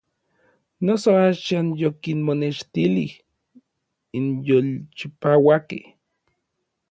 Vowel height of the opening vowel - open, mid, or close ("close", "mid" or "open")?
mid